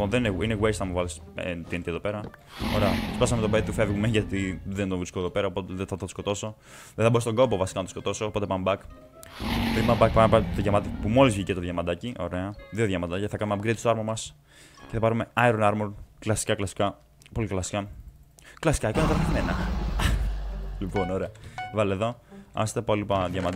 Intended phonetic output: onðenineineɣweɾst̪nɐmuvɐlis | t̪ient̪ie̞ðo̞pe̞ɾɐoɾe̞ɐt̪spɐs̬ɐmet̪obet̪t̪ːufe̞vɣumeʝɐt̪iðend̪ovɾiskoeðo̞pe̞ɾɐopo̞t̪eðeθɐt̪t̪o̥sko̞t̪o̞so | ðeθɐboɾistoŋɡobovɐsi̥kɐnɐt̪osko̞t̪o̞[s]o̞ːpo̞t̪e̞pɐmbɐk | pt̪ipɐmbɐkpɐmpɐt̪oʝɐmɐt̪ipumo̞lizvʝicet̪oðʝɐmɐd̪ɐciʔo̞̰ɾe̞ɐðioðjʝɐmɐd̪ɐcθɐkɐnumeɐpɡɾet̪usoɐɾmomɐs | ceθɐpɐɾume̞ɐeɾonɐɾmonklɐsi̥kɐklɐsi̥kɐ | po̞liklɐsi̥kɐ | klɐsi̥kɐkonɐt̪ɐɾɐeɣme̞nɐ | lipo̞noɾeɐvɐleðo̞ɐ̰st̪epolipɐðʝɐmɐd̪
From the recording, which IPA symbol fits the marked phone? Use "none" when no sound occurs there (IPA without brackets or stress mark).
s